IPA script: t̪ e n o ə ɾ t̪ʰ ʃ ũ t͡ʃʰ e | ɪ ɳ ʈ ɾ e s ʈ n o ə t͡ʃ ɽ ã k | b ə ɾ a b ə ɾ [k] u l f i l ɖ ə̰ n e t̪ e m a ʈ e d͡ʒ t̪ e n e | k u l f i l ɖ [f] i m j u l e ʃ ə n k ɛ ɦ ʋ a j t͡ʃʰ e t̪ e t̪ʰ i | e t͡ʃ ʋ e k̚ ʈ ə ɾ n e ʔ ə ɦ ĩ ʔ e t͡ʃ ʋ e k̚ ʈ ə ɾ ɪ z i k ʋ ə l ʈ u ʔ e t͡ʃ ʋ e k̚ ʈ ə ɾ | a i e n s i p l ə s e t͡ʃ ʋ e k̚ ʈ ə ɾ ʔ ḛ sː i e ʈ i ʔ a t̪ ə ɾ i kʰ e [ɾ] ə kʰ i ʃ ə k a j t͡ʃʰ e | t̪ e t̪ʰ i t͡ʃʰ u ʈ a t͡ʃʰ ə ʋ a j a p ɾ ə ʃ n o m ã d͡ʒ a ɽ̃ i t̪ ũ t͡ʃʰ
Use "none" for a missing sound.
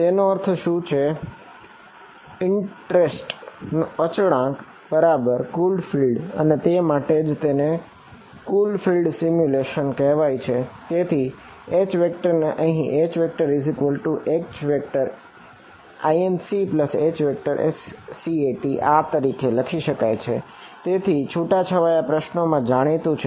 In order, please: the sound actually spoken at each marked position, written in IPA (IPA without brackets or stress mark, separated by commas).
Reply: k, s, l